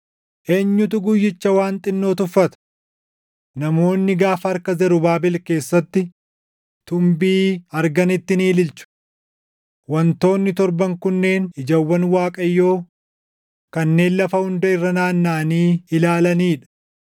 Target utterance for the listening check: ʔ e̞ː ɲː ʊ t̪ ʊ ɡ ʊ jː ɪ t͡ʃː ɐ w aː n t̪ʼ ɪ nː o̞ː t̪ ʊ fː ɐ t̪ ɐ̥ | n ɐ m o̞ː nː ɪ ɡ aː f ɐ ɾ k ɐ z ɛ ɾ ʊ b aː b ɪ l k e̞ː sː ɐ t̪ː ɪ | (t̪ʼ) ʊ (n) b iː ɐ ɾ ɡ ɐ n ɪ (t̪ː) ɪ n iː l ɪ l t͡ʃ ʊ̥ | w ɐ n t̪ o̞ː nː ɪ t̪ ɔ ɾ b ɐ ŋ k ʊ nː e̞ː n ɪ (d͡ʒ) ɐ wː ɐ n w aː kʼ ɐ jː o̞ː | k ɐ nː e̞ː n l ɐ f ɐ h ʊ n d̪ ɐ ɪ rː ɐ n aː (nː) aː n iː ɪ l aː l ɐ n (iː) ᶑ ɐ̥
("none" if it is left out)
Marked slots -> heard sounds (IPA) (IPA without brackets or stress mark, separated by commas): t̪, m, t̪ː, d͡ʒ, nː, iː